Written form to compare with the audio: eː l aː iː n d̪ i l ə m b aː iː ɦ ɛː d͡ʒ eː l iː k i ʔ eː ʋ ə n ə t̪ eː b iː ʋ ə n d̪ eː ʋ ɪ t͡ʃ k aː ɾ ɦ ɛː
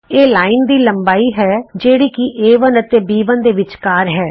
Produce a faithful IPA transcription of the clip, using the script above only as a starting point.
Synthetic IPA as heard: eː l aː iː n d̪ iː l ə m b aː iː ɦ ɛː d͡ʒ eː ɽ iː k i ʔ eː ʋ ə n ə t̪ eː b iː ʋ ə n d̪ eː ʋ ɪ t͡ʃ k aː ɾ ɦ ɛː